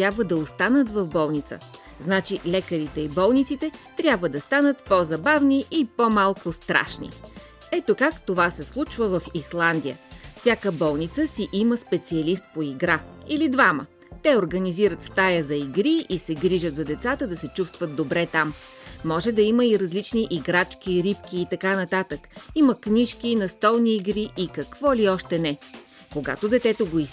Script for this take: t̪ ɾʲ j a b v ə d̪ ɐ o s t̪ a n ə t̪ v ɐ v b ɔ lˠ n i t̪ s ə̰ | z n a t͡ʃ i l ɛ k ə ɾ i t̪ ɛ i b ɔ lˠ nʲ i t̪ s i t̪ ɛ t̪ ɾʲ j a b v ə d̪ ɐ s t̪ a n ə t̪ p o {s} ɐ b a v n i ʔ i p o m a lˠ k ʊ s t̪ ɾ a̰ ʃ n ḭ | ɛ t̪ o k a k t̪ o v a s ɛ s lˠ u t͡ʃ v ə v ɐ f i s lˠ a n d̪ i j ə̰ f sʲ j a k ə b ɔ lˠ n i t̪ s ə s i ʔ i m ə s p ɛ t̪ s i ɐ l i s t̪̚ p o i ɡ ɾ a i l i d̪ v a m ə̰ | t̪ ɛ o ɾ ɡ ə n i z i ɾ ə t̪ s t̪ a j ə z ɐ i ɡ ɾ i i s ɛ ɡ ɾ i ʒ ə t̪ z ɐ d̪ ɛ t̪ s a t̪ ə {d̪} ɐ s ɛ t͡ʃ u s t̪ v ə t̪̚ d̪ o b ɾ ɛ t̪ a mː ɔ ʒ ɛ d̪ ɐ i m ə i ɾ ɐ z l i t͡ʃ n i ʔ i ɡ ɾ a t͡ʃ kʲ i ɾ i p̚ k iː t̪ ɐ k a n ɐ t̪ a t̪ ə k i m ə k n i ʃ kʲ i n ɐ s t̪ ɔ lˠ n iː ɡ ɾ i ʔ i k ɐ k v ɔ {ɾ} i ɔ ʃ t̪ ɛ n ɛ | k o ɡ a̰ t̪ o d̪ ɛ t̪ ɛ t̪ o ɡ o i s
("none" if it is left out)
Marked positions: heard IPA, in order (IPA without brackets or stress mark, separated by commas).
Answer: z, d̪, l